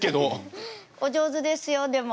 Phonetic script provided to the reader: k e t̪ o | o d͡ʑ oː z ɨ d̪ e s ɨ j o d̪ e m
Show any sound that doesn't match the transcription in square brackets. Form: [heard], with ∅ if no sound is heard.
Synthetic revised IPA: k e [d̪] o | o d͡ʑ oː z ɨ d̪ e s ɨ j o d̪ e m